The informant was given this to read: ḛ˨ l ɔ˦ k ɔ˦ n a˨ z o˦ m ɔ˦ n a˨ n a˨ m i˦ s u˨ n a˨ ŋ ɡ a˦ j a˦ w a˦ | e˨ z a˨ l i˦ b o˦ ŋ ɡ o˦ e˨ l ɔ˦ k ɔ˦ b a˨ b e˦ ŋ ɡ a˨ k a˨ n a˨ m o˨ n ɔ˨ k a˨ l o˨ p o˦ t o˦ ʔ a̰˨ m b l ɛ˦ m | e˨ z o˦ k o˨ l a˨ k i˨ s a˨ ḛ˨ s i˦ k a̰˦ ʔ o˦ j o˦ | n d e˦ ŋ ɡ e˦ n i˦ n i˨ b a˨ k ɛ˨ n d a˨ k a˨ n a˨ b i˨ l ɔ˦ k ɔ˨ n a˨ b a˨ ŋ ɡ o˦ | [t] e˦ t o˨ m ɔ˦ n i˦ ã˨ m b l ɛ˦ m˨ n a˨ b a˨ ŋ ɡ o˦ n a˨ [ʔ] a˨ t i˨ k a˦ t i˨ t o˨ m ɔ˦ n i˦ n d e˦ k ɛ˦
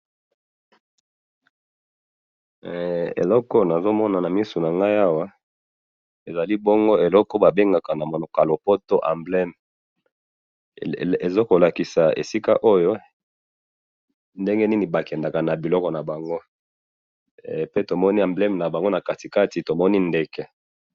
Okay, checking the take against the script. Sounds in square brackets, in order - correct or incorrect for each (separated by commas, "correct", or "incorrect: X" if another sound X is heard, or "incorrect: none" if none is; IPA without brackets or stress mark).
incorrect: p, incorrect: k